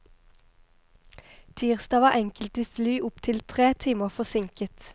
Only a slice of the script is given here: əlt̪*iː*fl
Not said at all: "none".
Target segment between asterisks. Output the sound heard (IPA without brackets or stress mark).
iː